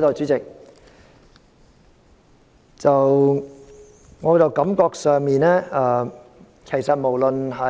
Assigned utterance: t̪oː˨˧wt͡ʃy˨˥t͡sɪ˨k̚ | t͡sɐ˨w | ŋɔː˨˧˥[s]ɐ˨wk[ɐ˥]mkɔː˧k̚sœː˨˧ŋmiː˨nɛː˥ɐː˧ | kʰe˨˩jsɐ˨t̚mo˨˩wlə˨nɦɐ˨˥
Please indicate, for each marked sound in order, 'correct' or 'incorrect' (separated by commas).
incorrect, incorrect